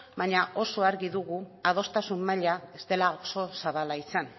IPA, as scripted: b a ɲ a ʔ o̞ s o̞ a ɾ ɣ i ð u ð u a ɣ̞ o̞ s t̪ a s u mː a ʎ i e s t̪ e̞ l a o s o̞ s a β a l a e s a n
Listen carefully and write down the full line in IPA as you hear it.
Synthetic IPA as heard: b a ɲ a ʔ o̞ s o̞ a ɾ ɣ i ð u ɣ u a ð̞ o̞ s t̪ a s u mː a ʎ a e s t̪ e̞ l a o s o̞ s a β a l a i s a n

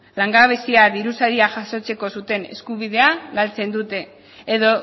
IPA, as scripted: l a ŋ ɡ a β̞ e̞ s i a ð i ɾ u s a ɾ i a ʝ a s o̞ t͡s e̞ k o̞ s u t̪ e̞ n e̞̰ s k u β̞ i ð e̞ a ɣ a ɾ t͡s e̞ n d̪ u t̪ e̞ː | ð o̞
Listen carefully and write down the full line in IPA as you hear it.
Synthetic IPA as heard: l a ŋ ɡ a β̞ e̞ s i a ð i ɾ u s a ɾ i a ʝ a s o̞ t͡s e̞ k o̞ s u t̪ e̞ n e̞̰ s k u β̞ i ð e̞ a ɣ a l t͡s e̞ n d̪ u t̪ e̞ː | ð o̞

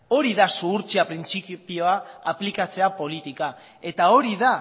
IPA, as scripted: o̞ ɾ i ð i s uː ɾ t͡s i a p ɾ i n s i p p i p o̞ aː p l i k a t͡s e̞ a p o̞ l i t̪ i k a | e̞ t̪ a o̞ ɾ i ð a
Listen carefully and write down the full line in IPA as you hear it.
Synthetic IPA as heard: o̞ ɾ i ð a s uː ɾ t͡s i a p ɾ i n t͡s i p p i o̞ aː p l i k a t͡s e̞ a p o̞ l i t̪ i k a | e̞ t̪ a o̞ ɾ i ð a

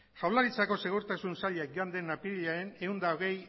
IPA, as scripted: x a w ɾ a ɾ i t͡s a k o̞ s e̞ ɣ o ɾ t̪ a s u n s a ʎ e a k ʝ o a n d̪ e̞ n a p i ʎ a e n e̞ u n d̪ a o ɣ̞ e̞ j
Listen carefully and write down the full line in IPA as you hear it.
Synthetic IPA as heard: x a w l a ɾ i t͡s a k o̞ s e̞ ɣ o ɾ t̪ a s u n s a ʎ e a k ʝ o a n d̪ e̞ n a p i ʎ a e n e̞ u n d̪ a o ɣ̞ e̞ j

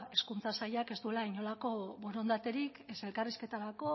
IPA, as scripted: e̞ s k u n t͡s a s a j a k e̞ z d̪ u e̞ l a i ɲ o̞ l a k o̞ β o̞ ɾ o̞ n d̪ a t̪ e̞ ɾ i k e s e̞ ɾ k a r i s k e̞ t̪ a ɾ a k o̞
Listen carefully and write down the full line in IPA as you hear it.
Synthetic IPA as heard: e̞ s k u n t͡s a s a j a k e̞ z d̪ u e̞ l a i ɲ o̞ l a k o̞ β o̞ ɾ o̞ n d̪ a t̪ e̞ ɾ i k e s e̞ l k a r i s k e̞ t̪ a ɾ a k o̞

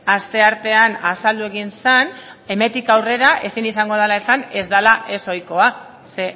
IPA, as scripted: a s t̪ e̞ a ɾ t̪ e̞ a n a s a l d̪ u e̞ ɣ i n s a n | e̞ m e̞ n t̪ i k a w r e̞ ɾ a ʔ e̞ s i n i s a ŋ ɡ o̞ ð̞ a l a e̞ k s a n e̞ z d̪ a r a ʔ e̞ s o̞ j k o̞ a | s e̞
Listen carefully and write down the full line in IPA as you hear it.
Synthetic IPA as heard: a s t̪ e̞ a ɾ t̪ e̞ a n a s a l d̪ u e̞ ɣ i n s a n | e̞ m e̞ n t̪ i k a w r e̞ ɾ a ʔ e̞ s i n i s a ŋ ɡ o̞ ð̞ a l a e̞ s a n e̞ z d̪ a l a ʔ e̞ s o̞ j k o̞ a | s e̞

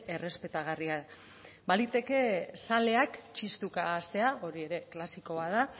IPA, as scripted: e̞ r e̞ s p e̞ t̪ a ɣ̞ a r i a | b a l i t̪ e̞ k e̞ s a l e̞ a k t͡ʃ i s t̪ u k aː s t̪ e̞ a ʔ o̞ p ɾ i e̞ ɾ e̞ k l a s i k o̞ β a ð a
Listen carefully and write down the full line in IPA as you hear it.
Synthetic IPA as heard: e̞ r e̞ s p e̞ t̪ a ɣ̞ a r i a | b a l i t̪ e̞ k e̞ s a l e̞ a k t͡ʃ i s t̪ u k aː s t̪ e̞ a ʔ o̞ ɾ i e̞ ɾ e̞ k l a s i k o̞ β a ð a

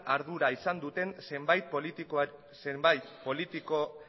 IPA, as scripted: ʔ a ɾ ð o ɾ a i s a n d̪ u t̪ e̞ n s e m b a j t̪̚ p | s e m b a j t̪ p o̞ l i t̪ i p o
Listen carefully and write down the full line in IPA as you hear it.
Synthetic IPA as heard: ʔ a ɾ ð u ɾ a i s a n d̪ u t̪ e̞ n s e m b a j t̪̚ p | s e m b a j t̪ p o̞ l i t̪ i k o

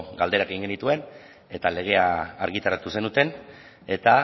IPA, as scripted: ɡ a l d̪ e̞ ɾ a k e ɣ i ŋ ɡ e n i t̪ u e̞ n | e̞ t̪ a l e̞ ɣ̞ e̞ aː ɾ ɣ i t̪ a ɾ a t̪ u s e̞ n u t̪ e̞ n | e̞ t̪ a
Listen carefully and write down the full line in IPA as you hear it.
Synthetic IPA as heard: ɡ a l d̪ e̞ ɾ a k e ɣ i ŋ ɡ e n i t̪ u e̞ n | e̞ t̪ a l e̞ ɣ̞ e̞ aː ɾ ɣ i t̪ a ɾ a t̪ u s e̞ n u t̪ e̞ n | e̞ t̪ a

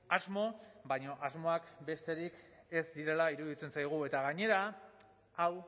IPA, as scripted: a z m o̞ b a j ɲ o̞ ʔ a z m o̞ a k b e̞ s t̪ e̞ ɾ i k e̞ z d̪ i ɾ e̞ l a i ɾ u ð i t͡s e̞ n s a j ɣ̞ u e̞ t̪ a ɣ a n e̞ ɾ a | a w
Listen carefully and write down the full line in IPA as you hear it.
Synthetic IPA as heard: a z m o̞ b a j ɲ o̞ ʔ a z m o̞ a k b e̞ s t̪ e̞ ɾ i k e̞ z d̪ i ɾ e̞ l a i ɾ u ð i t͡s e̞ n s a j ɣ̞ u e̞ t̪ a ɣ a ɲ e̞ ɾ a | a w

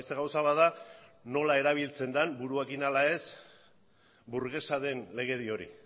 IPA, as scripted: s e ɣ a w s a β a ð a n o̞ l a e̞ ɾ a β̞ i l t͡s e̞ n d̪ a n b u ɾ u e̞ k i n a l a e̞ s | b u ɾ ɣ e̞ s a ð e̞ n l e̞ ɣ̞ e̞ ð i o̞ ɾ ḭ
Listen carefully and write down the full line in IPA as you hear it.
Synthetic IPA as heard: s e ɣ a w s a β a ð a n o̞ l a e̞ ɾ a β̞ i l t͡s e̞ n d̪ a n b u ɾ u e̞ k i n a l a e̞ s | b u ɾ ɣ e̞ s a ð e̞ n l e̞ ɣ̞ e̞ ð i o̞ ɾ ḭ

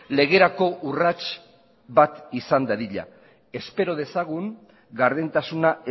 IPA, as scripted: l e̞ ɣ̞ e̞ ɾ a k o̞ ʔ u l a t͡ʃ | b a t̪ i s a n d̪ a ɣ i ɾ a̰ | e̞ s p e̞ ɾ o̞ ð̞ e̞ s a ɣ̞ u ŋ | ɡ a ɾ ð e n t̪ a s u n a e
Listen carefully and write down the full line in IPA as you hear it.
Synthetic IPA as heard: l e̞ ɣ̞ e̞ ɾ a k o̞ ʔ u r a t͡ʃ | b a t̪ i s a n d̪ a ð i ʎ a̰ | e̞ s p e̞ ɾ o̞ ð̞ e̞ s a ɣ̞ u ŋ | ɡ a ɾ ð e n t̪ a s u n a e

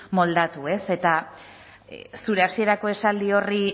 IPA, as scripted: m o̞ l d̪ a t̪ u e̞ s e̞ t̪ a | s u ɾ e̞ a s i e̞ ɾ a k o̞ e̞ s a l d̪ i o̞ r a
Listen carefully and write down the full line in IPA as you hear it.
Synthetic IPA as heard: m o̞ l d̪ a t̪ u e̞ s e̞ t̪ a | s u ɾ e̞ a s i e̞ ɾ a k o̞ e̞ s a l d̪ i o̞ r i

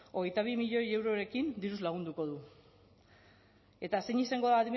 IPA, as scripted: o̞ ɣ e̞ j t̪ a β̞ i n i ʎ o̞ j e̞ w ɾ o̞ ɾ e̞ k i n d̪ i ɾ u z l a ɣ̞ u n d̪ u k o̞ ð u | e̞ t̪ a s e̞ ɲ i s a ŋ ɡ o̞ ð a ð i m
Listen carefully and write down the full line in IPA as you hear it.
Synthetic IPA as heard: o̞ ɣ e̞ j t̪ a β̞ i m i ʎ o̞ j e̞ w ɾ o̞ ɾ e̞ k i n d̪ i ɾ u z l a ɣ̞ u n d̪ u k o̞ ð u | e̞ t̪ a s e̞ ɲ i s a ŋ ɡ o̞ ð a ð i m

